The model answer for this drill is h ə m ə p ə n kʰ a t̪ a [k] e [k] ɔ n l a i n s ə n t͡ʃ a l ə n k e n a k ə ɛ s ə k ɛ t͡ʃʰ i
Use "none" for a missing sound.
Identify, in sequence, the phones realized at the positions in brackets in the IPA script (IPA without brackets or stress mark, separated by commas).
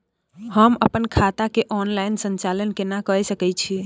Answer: k, ʔ